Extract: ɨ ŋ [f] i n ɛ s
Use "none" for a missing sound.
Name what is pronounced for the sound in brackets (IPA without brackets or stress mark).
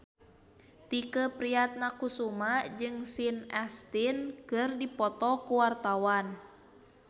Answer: s